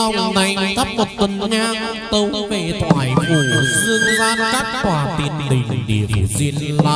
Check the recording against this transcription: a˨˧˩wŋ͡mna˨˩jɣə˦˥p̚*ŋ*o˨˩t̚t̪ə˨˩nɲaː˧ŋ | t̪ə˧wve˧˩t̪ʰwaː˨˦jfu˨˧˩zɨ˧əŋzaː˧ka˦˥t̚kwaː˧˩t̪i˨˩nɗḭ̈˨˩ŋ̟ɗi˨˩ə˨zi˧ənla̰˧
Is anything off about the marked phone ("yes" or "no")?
yes